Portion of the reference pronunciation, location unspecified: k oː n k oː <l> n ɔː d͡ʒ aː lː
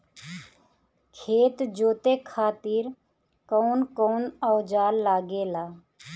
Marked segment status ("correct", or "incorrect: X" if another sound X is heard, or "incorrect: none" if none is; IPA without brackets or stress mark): incorrect: none